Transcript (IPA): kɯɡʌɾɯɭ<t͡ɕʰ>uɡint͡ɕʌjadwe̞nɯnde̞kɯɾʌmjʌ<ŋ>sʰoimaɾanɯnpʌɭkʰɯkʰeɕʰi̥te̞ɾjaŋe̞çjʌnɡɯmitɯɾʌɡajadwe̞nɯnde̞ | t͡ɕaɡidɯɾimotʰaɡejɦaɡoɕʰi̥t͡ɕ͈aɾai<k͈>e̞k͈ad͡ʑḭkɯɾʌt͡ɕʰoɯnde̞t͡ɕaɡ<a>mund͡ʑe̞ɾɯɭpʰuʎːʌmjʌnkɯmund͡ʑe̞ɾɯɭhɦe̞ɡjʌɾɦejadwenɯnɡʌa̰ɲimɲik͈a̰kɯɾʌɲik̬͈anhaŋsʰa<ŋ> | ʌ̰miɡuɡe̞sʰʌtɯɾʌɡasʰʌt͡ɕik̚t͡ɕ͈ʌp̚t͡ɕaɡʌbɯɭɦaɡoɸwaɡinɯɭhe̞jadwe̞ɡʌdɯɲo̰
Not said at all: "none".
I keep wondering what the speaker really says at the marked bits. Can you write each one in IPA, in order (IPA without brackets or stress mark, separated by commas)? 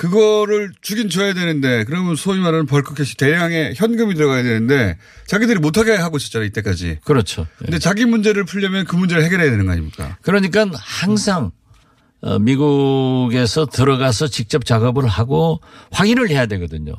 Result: t͡ɕ, n, t͈, i, ŋ